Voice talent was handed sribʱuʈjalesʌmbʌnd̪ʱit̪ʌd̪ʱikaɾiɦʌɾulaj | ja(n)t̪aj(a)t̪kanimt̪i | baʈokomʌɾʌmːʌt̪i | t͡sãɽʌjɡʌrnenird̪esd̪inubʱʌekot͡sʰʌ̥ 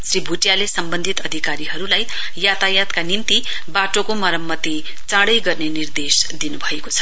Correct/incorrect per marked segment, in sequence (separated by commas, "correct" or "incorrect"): incorrect, correct